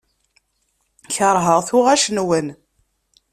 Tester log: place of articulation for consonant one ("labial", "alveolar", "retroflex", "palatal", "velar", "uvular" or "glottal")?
palatal